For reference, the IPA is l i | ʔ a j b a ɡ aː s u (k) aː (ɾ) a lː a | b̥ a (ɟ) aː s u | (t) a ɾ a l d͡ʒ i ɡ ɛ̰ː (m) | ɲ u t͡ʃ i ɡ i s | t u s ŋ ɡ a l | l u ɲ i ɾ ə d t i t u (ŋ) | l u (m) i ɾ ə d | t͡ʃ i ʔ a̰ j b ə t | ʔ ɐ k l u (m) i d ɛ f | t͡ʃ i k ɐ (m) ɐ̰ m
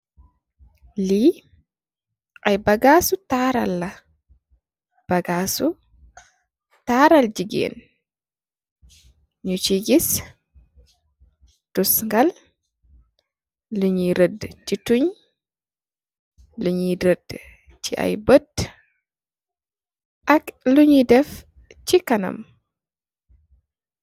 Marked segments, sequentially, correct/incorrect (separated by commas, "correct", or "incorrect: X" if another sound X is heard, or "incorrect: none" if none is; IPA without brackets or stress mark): incorrect: t, correct, incorrect: ɡ, correct, incorrect: n, incorrect: ɲ, incorrect: ɲ, incorrect: ɲ, incorrect: n